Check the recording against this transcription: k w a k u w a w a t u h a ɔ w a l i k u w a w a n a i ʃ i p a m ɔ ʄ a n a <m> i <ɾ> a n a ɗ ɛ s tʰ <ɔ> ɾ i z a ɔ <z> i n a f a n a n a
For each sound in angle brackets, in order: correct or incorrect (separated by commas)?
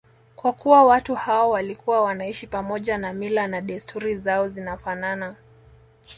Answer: correct, incorrect, incorrect, correct